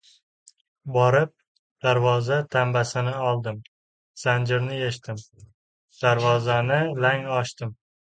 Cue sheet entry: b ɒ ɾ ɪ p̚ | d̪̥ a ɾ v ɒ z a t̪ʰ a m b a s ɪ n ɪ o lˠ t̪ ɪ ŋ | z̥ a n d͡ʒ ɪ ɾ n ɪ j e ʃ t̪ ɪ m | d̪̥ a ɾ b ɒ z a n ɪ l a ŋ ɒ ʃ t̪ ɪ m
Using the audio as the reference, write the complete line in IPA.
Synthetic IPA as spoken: b ɒ ɾ ɪ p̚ | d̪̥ a ɾ v ɒ z a t̪ʰ a m b a s ɪ n ɪ ɒ lˠ d̪ ɪ m | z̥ a n d͡ʒ ɪ ɾ n ɪ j e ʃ t̪ ɪ m | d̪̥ a ɾ v ɒ z a n ɪ l a ŋ ɒ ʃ t̪ ɪ m